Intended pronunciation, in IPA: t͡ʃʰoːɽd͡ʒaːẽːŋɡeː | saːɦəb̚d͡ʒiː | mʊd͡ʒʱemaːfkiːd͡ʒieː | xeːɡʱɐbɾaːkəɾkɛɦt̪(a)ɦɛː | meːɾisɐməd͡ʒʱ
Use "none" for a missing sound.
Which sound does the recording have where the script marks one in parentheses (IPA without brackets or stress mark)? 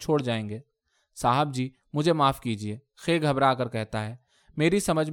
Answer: a